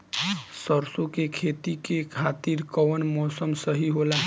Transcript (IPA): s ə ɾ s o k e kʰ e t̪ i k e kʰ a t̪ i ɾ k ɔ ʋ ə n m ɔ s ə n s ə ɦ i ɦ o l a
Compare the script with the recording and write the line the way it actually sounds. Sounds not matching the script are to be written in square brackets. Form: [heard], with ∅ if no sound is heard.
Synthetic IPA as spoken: s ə ɾ s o k e kʰ e t̪ i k e kʰ a t̪ i ɾ k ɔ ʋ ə n m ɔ s ə [m] s ə ɦ i ɦ o l a

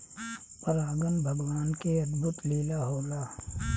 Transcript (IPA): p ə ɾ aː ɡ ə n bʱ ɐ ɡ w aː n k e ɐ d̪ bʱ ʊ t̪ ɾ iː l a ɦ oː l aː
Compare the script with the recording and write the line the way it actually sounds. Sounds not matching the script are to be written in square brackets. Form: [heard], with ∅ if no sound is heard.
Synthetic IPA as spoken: p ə ɾ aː ɡ ə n bʱ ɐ ɡ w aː n k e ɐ d̪ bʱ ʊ t̪ [l] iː l a ɦ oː l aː

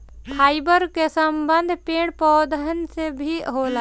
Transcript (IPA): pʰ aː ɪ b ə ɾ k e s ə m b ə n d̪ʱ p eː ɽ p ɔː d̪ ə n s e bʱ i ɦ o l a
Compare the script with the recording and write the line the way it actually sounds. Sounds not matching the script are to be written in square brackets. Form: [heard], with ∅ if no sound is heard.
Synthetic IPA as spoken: pʰ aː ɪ b ə ɾ k e s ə m b ə n d̪ʱ p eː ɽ p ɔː d̪ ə n s e bʱ i ɦ o l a

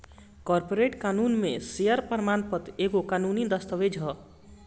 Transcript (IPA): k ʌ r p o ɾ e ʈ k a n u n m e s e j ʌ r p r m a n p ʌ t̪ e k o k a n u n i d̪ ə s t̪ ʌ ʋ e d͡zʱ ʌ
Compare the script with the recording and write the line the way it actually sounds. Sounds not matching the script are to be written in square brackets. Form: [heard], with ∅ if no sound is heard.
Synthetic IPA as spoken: k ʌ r p o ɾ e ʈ k a n u n m e s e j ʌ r p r m a n p ʌ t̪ e k o k a n u n i d̪ [ʌ] s t̪ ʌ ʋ e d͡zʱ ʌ

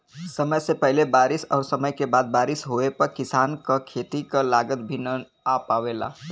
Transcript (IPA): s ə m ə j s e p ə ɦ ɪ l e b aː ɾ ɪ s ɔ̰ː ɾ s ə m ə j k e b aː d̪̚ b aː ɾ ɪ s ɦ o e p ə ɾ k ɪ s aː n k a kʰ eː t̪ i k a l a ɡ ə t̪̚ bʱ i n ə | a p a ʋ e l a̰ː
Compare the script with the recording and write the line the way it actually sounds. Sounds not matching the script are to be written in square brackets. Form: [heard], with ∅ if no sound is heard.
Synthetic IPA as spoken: s ə m ə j s e p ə ɦ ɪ l e b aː ɾ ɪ s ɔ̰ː ɾ s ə m ə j k e b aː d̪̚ b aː ɾ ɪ s ɦ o e p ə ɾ k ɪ s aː n k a kʰ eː t̪ i k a l a ɡ ə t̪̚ bʱ i n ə | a p a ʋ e l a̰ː

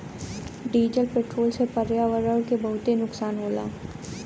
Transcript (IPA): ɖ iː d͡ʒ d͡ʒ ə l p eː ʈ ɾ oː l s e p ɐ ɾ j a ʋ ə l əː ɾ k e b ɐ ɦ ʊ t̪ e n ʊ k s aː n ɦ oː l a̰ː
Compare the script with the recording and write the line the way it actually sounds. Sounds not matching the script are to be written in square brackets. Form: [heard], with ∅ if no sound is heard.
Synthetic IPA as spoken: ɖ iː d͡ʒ d͡ʒ ə l p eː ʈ ɾ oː l s e p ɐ ɾ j a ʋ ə [ɾ] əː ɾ k e b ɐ ɦ ʊ t̪ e n ʊ k s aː n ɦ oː l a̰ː

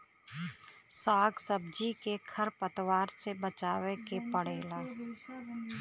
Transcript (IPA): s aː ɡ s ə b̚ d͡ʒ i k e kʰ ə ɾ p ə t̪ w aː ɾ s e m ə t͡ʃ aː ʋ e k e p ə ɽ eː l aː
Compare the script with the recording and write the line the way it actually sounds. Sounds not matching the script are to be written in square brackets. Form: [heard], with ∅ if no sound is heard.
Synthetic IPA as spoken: s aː ɡ s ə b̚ d͡ʒ i k e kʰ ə ɾ p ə t̪ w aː ɾ s e [b] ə t͡ʃ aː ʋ e k e p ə ɽ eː l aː

